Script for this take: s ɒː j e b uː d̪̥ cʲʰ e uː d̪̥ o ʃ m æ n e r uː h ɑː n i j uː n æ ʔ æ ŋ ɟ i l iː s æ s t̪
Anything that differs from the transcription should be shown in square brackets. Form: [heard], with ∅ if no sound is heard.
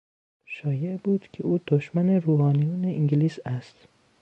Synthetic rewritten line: [ʃ] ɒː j e b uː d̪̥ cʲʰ e uː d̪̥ o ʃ m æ n e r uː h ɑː n i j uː n [e] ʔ [i] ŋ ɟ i l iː s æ s t̪